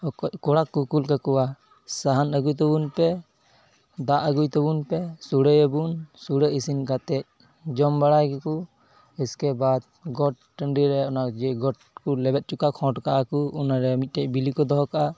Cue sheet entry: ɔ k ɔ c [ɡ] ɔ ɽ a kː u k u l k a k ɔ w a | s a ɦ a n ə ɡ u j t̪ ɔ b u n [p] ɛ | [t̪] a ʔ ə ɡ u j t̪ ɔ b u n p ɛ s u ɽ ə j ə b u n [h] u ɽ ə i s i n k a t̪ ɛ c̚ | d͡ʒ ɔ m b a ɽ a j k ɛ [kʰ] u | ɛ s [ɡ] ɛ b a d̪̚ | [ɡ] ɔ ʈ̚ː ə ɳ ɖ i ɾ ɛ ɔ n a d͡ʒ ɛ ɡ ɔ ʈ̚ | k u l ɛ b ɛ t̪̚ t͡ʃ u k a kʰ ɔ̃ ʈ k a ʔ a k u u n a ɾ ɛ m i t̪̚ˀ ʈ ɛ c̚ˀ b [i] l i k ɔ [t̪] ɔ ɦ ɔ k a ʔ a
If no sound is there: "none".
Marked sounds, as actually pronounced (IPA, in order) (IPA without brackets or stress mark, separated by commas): k, p, d̪, s, k, k, ɡ, i, d̪